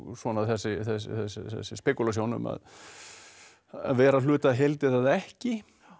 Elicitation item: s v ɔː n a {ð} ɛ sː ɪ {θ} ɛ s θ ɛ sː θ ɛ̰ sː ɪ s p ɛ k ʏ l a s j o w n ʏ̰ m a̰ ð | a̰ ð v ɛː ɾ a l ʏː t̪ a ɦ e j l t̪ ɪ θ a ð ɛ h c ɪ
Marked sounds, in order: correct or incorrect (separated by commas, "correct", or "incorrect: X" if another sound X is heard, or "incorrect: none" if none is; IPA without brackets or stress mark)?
incorrect: θ, correct